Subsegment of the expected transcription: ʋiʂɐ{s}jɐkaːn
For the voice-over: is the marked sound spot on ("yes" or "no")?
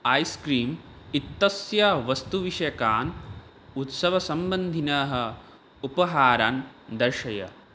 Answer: no